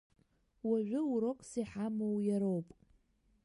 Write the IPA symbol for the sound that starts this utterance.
w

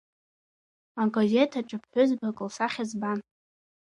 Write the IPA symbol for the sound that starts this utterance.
a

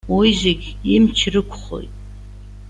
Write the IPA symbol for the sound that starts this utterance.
w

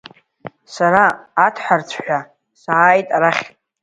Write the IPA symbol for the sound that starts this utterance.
s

